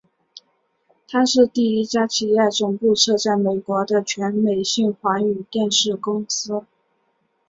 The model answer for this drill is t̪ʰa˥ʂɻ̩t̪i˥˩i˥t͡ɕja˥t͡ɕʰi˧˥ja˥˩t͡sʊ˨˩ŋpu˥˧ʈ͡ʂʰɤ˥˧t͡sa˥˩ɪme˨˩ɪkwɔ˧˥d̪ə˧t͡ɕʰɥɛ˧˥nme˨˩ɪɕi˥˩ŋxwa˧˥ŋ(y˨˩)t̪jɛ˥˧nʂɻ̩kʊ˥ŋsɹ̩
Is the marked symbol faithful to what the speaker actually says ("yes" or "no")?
yes